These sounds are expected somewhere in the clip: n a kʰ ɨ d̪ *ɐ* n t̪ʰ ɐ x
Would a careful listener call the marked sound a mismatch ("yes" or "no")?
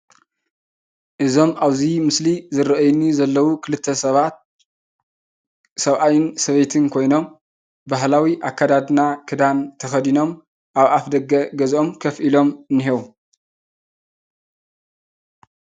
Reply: yes